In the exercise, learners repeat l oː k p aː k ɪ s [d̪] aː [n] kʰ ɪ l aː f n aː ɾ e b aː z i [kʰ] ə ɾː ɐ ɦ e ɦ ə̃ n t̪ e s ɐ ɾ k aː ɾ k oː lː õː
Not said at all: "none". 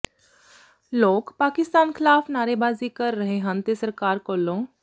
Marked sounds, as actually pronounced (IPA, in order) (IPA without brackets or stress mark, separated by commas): t̪, n, k